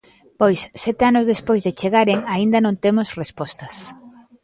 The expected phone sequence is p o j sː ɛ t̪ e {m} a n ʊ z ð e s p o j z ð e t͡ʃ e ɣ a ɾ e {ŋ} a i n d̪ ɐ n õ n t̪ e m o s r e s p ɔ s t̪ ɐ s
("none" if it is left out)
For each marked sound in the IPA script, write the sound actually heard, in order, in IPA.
none, ŋ

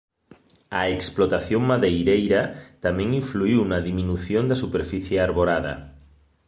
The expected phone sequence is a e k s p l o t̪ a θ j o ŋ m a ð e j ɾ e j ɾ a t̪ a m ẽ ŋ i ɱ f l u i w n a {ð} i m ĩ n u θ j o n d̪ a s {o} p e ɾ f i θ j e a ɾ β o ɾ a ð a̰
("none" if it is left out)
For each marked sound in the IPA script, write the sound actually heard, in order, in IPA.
ð, u

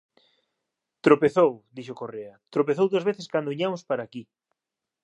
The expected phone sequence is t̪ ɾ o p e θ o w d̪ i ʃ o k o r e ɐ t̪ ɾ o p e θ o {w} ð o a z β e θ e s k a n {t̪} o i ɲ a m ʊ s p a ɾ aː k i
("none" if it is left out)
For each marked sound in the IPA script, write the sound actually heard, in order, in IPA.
w, d̪

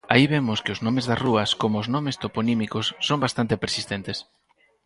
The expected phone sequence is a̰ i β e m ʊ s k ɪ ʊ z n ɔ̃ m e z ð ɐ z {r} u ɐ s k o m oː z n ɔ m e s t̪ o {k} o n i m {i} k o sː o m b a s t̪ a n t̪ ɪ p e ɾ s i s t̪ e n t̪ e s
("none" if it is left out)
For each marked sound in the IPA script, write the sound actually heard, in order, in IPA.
r, p, i

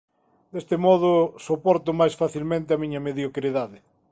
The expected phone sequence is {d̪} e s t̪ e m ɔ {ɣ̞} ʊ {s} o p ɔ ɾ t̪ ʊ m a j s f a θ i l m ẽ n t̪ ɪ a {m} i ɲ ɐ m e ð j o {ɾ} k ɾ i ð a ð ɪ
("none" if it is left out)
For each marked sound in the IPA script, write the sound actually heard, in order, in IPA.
d̪, ð̞, s, m, none

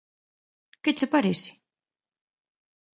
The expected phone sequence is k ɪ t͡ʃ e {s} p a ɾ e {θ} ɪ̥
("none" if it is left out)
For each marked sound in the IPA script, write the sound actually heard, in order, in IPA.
none, s

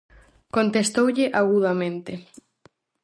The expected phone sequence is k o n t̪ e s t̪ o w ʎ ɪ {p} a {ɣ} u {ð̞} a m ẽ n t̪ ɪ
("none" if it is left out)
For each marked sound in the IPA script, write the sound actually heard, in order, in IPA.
ʔ, ɣ, ð̞

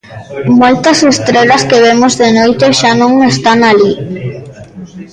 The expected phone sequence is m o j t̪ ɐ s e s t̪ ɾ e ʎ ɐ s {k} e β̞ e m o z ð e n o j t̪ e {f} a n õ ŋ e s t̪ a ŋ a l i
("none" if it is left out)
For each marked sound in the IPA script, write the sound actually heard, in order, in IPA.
k, ʃ

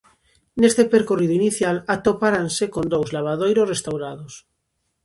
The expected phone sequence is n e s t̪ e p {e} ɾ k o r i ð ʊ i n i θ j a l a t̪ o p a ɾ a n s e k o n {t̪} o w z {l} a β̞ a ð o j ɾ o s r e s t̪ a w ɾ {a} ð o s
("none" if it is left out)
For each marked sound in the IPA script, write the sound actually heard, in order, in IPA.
e, d̪, l, a

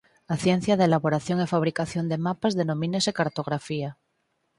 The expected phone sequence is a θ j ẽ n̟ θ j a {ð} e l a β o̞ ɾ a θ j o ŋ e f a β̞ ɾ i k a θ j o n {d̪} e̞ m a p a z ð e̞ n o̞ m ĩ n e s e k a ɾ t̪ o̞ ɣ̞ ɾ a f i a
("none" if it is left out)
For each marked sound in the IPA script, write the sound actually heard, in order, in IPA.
ð, d̪

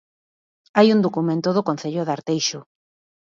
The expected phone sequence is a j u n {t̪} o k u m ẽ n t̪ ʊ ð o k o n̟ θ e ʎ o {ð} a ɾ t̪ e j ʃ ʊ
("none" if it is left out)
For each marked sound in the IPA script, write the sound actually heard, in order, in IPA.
d̪, ð

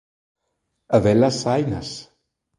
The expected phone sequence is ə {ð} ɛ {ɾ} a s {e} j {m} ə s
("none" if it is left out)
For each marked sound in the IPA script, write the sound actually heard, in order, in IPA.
v, l, a, n

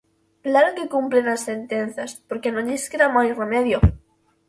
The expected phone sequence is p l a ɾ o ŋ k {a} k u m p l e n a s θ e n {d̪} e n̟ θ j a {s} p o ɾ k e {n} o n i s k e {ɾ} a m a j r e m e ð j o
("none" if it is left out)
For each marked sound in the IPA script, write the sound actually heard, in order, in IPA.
e, t̪, s, n, ɾ

